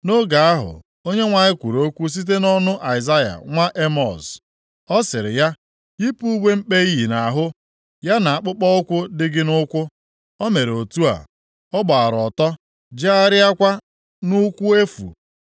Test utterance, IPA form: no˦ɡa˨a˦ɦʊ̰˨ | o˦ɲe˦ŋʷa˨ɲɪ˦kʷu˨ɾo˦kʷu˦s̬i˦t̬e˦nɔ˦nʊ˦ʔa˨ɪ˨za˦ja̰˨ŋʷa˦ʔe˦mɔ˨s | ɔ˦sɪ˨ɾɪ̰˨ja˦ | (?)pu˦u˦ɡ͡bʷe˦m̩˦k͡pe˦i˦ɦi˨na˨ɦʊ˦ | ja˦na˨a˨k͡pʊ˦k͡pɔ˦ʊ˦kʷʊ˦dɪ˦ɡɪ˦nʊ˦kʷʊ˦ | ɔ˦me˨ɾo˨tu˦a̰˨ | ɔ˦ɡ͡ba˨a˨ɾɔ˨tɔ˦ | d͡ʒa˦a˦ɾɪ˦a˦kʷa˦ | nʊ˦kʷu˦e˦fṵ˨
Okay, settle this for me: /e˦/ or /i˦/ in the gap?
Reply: i˦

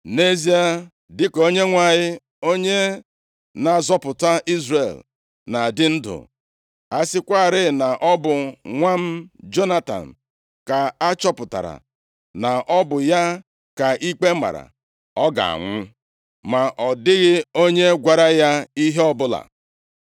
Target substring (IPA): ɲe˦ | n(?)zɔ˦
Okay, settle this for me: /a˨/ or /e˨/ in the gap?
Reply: a˨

